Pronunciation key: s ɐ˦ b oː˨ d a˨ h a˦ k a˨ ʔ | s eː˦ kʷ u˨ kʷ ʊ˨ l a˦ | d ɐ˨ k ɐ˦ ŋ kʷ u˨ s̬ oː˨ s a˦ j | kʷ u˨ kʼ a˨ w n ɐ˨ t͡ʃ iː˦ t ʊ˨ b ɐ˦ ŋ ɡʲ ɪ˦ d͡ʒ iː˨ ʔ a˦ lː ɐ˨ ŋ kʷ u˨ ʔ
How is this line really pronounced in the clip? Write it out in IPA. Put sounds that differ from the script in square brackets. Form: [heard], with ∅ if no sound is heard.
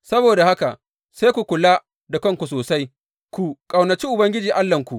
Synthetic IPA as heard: s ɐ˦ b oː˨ d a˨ h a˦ k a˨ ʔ | s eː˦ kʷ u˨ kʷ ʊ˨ l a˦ | d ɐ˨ k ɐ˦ ŋ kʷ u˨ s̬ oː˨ s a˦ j | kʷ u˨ kʼ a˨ w n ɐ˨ t͡ʃ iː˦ [ʔ] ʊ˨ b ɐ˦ ŋ ɡʲ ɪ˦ d͡ʒ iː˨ ʔ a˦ lː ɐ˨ ŋ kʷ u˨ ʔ